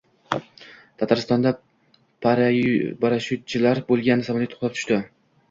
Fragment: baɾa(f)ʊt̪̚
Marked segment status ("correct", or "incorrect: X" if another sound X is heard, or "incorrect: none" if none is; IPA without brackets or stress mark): incorrect: ʃ